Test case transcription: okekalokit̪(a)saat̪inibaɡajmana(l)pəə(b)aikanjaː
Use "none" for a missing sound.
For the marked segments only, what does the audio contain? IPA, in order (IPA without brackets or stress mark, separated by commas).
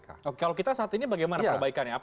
a, none, b